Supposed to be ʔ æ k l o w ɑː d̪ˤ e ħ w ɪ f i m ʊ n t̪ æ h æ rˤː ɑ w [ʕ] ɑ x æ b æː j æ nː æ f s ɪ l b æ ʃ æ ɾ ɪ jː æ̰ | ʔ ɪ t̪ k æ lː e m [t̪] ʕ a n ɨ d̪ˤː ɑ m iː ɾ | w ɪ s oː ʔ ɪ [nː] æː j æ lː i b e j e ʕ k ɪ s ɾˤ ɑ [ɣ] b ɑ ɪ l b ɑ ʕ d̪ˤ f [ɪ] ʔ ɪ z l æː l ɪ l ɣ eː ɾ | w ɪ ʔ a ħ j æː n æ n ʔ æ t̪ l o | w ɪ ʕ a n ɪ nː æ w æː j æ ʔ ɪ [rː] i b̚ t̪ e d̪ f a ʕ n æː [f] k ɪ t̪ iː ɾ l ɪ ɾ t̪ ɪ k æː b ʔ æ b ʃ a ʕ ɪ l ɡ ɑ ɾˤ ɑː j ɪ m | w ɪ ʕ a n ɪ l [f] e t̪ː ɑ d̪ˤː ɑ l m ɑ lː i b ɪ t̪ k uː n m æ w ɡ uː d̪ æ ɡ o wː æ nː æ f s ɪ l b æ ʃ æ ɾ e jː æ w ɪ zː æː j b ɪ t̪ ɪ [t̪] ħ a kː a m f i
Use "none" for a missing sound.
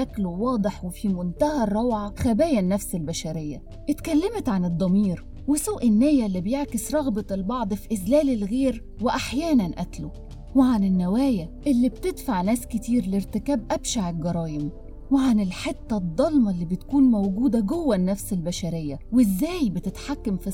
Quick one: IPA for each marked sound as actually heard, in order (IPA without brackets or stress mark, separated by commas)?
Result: ʕ, t̪, nː, ɣ, i, lː, s, ħ, t̪